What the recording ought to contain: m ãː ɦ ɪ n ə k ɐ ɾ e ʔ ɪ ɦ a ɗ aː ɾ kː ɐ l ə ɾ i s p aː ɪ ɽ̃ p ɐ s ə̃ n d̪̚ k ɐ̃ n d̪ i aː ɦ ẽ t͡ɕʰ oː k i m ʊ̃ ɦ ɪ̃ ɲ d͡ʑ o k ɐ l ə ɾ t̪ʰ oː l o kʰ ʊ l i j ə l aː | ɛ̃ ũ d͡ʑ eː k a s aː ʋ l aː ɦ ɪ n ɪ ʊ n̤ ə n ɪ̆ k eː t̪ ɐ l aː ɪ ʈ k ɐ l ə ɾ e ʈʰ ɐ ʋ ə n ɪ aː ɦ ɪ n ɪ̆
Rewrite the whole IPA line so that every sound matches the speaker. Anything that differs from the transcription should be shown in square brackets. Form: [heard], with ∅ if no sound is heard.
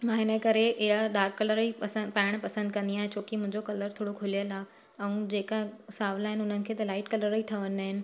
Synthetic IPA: m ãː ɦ ɪ n ə k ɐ ɾ e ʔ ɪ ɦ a ɗ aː ɾ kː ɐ l ə ɾ i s p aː ɪ ɽ̃ p ɐ s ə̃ n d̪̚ k ɐ̃ n d̪ i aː ɦ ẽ t͡ɕʰ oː k i m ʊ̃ ɦ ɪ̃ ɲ d͡ʑ o k ɐ l ə ɾ t̪ʰ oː [ɽ] o kʰ ʊ l i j ə l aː | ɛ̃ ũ d͡ʑ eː k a s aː ʋ l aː ɦ ɪ n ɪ ʊ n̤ ə n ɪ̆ [kʰ] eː t̪ ɐ l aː ɪ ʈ k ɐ l ə ɾ [i] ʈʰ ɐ ʋ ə n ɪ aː ɦ ɪ n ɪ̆